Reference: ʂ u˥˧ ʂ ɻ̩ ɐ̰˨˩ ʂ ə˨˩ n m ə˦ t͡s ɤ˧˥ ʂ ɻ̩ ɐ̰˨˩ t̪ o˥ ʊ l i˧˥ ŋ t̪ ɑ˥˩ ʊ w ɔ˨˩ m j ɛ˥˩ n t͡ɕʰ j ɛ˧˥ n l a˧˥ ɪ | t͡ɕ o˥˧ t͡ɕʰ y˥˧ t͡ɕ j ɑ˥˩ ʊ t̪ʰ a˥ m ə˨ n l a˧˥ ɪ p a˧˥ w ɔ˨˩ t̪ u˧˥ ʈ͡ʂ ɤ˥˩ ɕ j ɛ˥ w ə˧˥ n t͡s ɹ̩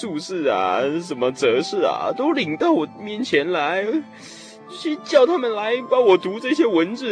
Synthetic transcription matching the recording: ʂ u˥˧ ʂ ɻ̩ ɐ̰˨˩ ʂ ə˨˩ n m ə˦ t͡s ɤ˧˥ ʂ ɻ̩ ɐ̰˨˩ t̪ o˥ ʊ l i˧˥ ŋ t̪ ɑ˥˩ ʊ w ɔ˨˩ m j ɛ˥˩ n t͡ɕʰ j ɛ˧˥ n l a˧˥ ɪ | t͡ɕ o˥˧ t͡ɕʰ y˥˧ t͡ɕ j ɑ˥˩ ʊ t̪ʰ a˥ m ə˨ n l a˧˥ ɪ p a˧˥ w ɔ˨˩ t̪ u˧˥ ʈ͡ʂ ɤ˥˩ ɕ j ɛ˥ w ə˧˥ n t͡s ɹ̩